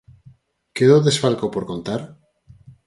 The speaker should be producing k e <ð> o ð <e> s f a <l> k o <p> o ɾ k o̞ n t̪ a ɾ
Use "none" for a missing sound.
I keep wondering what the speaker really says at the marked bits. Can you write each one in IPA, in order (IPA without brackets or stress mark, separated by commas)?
ð, e, l, p